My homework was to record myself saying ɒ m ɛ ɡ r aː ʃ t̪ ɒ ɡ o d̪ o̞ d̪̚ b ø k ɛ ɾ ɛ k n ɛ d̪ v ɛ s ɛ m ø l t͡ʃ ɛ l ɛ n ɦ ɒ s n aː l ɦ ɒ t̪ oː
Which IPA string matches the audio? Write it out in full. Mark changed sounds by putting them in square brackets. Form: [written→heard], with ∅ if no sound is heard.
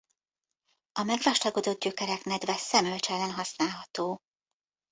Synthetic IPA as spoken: ɒ m ɛ ɡ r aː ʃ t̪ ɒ ɡ o d̪ o̞ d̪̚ [b→ɟ] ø k ɛ ɾ ɛ k n ɛ d̪ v ɛ s ɛ m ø l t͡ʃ ɛ l ɛ n ɦ ɒ s n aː l ɦ ɒ t̪ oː